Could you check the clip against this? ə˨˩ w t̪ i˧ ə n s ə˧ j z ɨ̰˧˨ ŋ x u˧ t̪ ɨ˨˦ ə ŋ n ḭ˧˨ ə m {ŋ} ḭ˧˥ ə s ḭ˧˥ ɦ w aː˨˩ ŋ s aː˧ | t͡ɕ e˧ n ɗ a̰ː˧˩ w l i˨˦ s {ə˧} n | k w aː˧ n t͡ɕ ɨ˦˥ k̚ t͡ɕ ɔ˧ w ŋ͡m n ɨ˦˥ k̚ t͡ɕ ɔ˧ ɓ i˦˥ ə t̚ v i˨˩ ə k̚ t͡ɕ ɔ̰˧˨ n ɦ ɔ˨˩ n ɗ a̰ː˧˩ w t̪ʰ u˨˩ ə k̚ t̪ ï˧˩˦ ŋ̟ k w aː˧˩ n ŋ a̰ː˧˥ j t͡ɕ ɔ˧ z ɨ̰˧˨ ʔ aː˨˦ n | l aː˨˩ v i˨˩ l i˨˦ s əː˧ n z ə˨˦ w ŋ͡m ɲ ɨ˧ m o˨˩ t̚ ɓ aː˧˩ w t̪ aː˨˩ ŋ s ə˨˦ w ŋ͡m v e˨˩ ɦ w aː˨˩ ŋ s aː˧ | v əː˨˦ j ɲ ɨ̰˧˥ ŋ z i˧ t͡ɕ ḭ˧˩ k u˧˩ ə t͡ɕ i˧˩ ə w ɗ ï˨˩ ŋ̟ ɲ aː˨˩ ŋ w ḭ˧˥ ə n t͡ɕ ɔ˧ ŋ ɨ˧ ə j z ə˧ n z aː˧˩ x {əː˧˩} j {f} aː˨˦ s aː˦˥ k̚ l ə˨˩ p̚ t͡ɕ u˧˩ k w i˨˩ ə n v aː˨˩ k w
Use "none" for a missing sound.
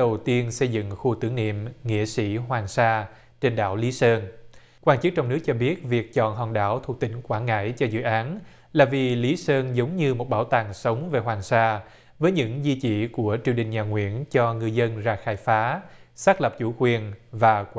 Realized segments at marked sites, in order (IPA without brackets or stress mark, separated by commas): ŋ, əː˧, aː˧˩, f